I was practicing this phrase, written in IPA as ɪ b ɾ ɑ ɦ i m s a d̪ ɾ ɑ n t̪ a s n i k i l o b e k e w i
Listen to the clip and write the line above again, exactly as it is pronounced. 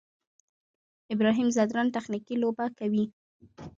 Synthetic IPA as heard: ɪ b ɾ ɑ ɦ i m z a d̪ ɾ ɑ n t̪ a x n i k i l o b a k a w i